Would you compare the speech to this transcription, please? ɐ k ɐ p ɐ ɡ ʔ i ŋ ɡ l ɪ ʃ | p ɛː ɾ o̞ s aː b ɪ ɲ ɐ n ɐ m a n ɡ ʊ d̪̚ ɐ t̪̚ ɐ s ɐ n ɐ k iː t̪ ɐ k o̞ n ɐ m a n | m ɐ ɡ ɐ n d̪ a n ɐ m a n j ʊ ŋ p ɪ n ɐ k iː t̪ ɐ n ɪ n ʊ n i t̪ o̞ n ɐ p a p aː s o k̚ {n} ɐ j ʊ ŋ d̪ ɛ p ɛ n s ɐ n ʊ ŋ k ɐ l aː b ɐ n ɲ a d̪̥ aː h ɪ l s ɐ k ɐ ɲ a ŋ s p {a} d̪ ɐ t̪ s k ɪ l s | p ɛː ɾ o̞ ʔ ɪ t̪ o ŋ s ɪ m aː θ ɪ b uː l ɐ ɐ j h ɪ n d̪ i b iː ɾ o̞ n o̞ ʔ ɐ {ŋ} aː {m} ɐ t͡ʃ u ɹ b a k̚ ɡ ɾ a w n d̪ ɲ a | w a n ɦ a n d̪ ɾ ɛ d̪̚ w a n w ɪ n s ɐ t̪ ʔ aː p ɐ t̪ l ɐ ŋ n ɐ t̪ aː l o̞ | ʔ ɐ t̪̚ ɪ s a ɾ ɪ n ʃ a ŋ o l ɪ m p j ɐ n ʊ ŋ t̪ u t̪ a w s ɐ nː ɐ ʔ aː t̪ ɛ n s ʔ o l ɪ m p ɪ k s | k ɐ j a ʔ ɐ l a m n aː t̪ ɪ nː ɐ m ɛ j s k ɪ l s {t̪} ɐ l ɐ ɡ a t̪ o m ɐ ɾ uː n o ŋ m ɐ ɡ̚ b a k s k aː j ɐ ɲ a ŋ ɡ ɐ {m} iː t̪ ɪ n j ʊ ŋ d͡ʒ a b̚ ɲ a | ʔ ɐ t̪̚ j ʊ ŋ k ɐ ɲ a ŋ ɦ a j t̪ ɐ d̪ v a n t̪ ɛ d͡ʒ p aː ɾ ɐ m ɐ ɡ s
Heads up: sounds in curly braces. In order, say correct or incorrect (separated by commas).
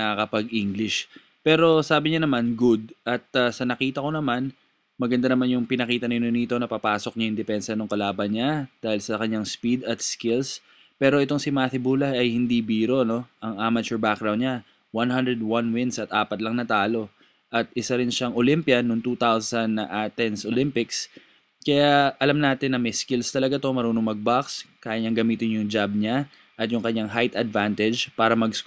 incorrect, incorrect, correct, correct, correct, correct